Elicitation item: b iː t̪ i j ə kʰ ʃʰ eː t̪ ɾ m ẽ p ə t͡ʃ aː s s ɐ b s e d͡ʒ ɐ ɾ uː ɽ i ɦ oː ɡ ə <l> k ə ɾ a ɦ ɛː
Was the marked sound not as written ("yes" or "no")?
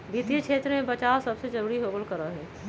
no